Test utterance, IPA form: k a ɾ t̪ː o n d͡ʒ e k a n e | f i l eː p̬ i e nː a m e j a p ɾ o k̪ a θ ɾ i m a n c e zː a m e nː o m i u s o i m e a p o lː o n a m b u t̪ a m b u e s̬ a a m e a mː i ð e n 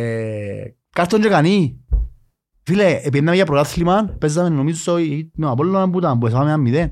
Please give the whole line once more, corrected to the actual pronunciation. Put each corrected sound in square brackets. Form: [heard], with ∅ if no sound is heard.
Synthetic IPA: k a ɾ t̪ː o n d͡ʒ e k a n [i] | f i l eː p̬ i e nː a m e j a p ɾ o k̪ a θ [l] i m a n [p] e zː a m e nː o m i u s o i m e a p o lː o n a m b u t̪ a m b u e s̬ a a m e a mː i ð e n